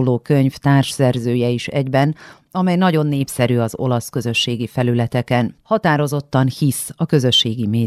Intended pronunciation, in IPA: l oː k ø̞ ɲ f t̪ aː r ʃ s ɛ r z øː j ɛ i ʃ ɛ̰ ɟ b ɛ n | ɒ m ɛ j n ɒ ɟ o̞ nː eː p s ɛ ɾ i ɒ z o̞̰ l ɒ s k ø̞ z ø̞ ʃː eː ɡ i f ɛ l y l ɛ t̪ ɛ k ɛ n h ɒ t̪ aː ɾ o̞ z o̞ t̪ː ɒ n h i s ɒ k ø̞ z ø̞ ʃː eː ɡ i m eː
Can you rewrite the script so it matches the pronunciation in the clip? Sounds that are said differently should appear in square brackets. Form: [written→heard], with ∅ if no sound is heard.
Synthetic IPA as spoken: l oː k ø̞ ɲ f t̪ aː r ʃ s ɛ r z øː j ɛ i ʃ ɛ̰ ɟ b ɛ n | ɒ m ɛ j n ɒ ɟ o̞ nː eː p s ɛ ɾ [i→y] ɒ z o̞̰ l ɒ s k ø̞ z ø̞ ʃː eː ɡ i f ɛ l y l ɛ t̪ ɛ k ɛ n h ɒ t̪ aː ɾ o̞ z o̞ t̪ː ɒ n h i s ɒ k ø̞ z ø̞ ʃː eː ɡ i m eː